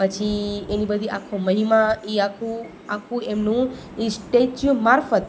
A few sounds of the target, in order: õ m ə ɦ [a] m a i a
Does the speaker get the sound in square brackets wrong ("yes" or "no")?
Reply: yes